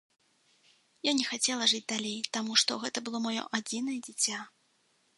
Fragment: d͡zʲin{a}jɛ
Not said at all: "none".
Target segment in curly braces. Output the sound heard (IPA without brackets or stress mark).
ɐ